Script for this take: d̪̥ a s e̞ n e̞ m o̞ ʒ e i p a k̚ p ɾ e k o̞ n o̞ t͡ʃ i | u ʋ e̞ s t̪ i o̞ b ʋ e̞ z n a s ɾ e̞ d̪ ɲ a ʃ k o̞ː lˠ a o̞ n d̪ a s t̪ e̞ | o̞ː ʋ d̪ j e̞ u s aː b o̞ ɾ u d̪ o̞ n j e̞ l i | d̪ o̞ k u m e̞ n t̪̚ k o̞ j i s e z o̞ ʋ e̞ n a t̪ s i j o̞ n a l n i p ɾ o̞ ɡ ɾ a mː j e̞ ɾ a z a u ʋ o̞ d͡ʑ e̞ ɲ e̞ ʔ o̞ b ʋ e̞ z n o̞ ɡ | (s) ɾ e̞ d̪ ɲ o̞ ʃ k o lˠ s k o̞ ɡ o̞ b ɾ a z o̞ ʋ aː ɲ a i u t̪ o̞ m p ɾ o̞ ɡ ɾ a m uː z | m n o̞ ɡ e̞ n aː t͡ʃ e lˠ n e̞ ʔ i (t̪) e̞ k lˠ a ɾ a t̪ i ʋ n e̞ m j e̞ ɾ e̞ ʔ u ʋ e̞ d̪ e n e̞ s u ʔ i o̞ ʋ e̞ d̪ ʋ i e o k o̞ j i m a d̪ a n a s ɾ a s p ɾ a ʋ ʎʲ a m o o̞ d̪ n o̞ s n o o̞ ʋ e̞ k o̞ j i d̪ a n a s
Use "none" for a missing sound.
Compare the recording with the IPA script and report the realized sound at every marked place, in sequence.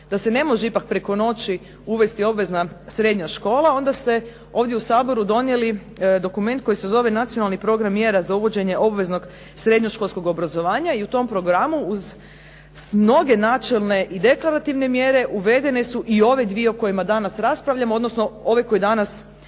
s, d̪

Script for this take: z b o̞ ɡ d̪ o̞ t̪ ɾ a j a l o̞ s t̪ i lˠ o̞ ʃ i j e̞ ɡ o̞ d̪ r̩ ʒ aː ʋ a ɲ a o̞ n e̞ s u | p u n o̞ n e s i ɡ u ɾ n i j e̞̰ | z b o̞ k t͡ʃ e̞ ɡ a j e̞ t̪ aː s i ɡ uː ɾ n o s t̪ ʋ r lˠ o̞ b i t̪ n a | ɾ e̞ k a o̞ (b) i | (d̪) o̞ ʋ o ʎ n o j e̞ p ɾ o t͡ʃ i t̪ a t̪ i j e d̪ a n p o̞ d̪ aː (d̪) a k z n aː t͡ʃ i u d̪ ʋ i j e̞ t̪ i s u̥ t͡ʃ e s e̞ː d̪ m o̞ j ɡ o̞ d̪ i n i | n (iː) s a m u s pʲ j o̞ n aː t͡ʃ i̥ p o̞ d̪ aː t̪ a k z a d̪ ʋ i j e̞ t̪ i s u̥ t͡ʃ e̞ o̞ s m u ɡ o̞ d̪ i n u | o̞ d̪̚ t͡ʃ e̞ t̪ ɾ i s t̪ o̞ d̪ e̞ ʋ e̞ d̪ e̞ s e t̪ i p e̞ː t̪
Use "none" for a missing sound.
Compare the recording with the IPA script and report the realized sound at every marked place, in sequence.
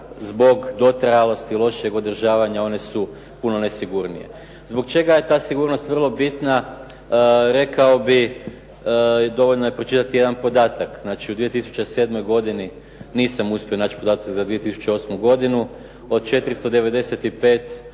b, d̪, t̪, iː

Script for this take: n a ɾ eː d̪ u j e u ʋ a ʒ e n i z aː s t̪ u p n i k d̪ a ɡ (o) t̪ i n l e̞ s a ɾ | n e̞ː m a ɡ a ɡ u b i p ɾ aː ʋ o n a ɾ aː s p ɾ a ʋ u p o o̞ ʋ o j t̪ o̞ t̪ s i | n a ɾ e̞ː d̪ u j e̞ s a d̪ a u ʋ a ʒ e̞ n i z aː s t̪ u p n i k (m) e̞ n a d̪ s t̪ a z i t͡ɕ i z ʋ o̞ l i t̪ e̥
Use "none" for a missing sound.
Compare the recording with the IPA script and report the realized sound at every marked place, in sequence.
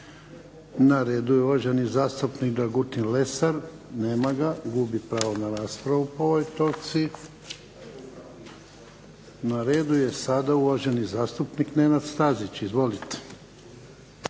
u, n

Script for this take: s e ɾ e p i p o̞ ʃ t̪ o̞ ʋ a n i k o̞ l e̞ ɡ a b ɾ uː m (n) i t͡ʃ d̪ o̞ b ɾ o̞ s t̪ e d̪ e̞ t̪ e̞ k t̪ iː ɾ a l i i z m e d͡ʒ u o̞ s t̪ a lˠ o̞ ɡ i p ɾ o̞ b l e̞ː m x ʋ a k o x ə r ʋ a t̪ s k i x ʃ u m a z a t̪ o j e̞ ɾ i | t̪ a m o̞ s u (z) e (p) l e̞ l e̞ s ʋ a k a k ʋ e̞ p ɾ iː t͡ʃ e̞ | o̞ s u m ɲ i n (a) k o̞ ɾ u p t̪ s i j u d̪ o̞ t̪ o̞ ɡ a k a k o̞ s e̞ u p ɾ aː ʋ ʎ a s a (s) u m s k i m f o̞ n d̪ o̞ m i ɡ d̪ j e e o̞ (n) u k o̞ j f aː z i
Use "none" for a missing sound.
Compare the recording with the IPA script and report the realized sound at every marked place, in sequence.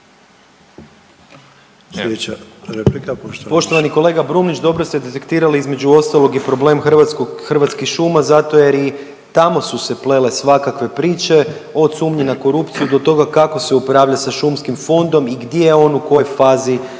n, s, p, a, ʃ, n

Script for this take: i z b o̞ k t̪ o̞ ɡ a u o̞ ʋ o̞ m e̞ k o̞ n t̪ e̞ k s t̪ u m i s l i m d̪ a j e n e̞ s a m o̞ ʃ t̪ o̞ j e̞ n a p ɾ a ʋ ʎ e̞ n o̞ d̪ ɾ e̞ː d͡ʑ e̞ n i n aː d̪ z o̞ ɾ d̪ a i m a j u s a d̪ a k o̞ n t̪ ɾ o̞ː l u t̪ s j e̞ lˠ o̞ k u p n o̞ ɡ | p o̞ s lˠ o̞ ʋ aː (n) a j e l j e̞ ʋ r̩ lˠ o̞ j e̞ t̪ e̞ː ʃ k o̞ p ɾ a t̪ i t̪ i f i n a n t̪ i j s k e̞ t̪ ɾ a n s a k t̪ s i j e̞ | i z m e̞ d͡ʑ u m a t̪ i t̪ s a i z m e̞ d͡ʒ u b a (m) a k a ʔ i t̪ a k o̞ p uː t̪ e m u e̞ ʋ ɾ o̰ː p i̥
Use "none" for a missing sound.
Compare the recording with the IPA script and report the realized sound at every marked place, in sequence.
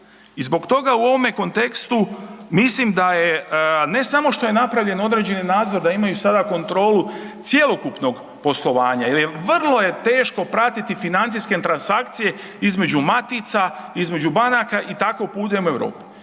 ɲ, n

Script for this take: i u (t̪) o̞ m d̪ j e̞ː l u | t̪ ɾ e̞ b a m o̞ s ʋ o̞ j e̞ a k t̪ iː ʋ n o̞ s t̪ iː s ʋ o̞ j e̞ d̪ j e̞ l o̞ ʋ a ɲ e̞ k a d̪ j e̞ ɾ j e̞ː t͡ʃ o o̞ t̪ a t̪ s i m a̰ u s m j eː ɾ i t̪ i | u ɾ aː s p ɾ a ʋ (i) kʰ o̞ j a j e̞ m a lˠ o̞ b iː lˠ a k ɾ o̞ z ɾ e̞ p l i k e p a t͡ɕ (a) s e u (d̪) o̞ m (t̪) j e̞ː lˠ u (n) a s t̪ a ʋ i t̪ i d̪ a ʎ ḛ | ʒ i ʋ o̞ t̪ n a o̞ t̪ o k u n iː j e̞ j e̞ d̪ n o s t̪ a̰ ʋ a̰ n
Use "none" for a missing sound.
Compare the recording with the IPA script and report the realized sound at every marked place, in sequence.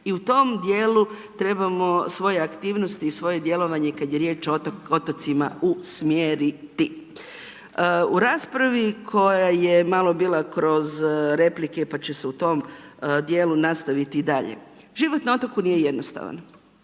t̪, i, e, t̪, d̪, n

